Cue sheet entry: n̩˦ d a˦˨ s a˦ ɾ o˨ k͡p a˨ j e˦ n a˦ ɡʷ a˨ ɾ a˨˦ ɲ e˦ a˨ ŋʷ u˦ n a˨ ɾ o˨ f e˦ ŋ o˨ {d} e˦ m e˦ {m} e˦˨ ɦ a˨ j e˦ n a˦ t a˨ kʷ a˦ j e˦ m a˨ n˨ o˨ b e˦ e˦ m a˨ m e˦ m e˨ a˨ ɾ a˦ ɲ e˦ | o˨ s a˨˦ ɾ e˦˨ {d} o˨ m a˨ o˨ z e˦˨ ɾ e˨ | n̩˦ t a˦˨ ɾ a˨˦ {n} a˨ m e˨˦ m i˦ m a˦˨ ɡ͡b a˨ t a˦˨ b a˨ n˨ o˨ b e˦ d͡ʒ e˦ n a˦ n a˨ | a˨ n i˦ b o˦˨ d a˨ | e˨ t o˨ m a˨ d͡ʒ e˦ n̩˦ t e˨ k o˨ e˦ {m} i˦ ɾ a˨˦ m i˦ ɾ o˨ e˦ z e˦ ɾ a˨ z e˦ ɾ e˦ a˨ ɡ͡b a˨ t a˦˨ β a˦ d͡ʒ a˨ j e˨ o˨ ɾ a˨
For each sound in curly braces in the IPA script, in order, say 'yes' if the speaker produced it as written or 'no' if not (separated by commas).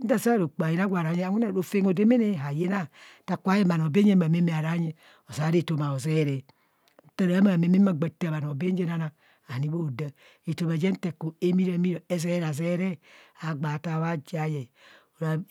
yes, no, no, no, yes